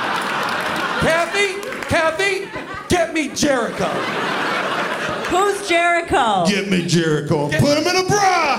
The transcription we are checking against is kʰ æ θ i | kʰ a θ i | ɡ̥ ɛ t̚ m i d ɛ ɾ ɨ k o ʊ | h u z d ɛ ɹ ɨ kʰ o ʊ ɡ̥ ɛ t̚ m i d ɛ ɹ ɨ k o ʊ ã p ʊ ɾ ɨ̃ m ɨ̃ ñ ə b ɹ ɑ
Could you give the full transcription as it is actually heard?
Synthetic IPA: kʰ æ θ i | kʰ æ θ i | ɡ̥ ɛ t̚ m i d͡ʒ ɛ ɹ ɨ k o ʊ | h u z d͡ʒ ɛ ɹ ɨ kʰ o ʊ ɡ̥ ɛ t̚ m i d͡ʒ ɛ ɹ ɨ k o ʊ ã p ʊ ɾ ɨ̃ m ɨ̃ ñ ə b ɹ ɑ